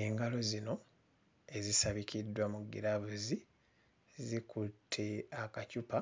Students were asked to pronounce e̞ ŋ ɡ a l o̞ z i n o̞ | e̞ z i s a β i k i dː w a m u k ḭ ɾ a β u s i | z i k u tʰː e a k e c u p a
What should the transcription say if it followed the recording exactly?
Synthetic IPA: e̞ ŋ ɡ a l o̞ z i n o̞ | e̞ z i s a β i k i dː w a m u ɡ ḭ ɾ a β u z i | z i k u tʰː e a k a c u p a